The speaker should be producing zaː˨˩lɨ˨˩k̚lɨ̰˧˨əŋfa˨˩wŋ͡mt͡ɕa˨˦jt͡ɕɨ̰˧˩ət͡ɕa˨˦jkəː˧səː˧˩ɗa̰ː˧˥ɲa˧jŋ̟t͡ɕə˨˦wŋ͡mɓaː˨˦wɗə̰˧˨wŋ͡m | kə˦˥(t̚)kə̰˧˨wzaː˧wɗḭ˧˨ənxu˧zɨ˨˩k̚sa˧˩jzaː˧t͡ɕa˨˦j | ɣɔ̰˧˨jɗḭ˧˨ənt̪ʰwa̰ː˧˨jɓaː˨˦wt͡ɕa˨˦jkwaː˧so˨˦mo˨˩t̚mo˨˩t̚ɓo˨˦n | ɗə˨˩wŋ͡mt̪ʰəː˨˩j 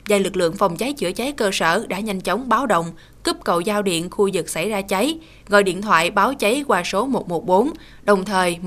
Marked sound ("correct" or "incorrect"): incorrect